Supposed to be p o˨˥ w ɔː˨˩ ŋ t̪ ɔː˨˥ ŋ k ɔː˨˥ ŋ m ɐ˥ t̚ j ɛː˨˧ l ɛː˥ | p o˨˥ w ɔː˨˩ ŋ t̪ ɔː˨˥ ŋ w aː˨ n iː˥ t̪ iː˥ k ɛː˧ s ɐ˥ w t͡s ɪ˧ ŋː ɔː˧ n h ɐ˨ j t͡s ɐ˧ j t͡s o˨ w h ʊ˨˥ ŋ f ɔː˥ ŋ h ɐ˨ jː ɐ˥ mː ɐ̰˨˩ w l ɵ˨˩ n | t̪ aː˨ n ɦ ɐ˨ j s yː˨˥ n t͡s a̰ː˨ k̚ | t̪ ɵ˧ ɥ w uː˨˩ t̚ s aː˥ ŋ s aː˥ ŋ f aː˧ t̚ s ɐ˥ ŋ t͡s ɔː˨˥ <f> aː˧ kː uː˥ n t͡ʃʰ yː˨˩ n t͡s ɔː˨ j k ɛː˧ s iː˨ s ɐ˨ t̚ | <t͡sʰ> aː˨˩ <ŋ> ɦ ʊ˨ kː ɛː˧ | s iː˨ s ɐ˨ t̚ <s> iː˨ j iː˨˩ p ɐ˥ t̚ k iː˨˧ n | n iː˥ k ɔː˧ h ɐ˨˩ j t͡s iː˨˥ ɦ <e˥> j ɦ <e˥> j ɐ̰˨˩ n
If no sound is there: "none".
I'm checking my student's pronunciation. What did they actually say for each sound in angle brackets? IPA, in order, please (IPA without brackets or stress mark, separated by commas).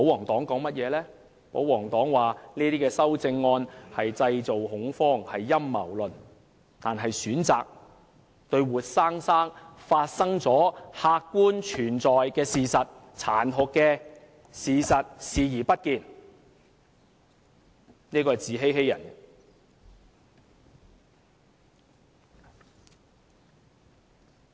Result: h, t͡sʰ, n, s, e˥, e˥